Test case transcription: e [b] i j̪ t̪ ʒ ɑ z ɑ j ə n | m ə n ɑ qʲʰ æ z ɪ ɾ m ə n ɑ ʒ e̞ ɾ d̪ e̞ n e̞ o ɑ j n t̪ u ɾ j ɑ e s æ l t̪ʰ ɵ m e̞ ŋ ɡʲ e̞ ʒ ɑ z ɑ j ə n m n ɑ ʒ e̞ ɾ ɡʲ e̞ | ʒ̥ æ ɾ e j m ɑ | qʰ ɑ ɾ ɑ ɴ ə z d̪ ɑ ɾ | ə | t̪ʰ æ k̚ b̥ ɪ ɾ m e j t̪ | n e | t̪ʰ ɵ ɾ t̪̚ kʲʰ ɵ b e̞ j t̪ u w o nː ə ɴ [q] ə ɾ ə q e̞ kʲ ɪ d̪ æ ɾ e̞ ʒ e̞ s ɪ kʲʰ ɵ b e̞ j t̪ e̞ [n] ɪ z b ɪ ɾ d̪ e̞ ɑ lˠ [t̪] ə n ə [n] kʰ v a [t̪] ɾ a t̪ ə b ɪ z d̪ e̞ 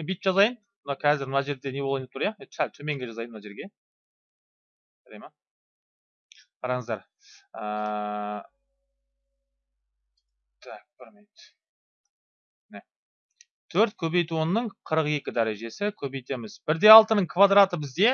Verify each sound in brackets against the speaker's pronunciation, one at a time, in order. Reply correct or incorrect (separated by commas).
correct, incorrect, incorrect, correct, incorrect, incorrect